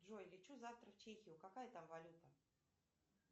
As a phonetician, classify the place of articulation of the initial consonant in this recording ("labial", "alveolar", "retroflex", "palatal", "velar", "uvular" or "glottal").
retroflex